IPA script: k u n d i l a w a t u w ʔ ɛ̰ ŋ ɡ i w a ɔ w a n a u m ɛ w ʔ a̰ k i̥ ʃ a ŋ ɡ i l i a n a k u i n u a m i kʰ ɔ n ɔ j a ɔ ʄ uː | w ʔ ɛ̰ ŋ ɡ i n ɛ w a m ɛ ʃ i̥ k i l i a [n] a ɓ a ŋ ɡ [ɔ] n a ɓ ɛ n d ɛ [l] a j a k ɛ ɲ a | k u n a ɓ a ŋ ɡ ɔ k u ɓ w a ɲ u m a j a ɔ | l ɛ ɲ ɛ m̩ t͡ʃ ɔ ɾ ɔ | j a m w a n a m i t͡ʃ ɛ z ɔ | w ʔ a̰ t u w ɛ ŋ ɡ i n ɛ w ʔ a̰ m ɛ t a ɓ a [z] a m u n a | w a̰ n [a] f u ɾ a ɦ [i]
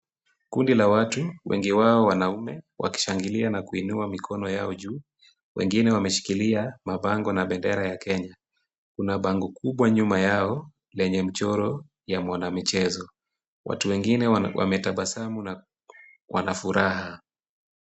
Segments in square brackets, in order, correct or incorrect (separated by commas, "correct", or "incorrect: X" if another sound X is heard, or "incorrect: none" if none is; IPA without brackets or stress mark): incorrect: m, correct, incorrect: ɾ, incorrect: s, correct, incorrect: a